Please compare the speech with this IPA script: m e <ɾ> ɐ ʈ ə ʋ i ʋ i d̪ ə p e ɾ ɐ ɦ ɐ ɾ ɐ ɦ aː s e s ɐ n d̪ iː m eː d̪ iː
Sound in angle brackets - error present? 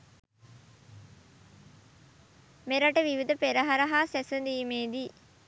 no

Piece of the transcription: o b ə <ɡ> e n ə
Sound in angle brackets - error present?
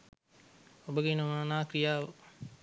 no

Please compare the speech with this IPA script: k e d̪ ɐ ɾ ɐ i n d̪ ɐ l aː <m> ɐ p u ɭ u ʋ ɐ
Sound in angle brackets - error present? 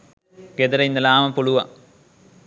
no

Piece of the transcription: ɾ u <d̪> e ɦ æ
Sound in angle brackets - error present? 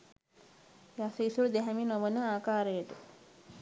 no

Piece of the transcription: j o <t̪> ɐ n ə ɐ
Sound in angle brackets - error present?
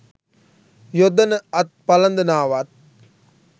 yes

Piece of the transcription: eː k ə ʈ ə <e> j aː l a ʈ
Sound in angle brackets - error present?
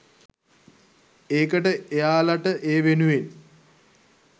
no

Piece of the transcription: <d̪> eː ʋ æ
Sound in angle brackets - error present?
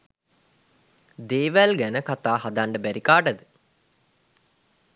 no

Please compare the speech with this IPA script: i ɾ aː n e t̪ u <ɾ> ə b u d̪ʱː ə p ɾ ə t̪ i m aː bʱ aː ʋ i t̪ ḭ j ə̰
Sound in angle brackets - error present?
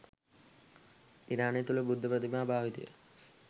yes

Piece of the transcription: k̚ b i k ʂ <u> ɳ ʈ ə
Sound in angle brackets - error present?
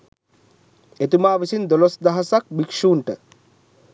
yes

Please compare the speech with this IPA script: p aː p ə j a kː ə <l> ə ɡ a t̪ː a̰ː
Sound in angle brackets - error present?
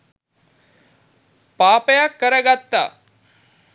yes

